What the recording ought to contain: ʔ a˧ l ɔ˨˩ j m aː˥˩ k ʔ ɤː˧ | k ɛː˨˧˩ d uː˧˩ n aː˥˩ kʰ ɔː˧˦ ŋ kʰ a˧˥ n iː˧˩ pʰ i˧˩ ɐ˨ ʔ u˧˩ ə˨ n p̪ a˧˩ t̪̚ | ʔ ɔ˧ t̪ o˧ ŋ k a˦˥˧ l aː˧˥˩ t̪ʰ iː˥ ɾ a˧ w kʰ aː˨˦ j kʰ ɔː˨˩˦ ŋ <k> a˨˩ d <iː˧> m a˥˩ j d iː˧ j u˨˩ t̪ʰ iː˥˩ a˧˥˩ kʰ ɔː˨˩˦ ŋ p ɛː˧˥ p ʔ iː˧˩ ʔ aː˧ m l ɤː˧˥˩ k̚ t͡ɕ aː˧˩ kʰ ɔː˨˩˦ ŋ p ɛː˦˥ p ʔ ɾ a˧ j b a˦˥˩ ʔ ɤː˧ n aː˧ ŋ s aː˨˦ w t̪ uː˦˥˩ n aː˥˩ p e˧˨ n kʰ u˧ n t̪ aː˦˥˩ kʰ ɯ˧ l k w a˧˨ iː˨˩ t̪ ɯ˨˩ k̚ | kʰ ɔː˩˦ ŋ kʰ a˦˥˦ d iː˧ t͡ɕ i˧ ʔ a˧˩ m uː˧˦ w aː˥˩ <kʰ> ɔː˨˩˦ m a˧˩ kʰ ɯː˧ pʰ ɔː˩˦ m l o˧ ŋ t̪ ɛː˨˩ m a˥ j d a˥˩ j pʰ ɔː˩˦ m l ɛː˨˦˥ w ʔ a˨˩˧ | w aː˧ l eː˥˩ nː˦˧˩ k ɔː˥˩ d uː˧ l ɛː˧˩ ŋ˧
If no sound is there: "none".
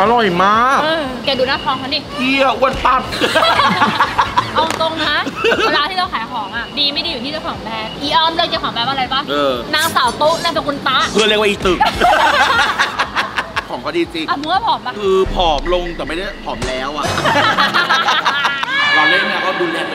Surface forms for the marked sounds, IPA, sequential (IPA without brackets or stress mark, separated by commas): ʔ, iː˧, pʰ